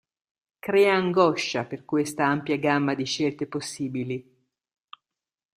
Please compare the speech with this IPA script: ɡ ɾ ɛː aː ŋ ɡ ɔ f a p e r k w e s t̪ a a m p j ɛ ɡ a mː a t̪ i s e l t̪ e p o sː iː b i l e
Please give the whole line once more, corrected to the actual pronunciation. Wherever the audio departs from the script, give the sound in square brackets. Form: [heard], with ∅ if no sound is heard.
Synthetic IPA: [k] ɾ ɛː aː ŋ ɡ ɔ [ʃ] a p e r k w e s t̪ a a m p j [a] ɡ a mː a [d̪] i [ʃ] e l t̪ e p o sː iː b i l [i]